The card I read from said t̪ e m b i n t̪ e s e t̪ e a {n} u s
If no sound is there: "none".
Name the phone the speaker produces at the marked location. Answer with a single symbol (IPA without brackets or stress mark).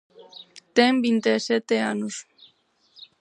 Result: n